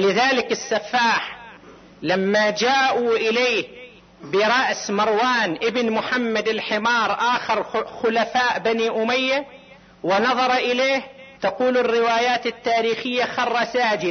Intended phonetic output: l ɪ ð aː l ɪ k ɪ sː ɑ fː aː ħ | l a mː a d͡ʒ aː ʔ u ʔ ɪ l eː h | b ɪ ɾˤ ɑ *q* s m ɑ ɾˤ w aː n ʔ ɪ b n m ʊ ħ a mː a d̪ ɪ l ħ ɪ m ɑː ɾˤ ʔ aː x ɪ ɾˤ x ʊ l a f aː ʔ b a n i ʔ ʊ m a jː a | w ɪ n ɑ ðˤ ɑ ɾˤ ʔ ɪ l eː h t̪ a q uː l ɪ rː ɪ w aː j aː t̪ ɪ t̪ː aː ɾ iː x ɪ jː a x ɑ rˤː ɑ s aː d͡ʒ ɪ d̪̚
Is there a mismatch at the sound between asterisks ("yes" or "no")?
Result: yes